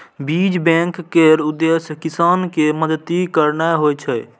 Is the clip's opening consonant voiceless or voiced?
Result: voiced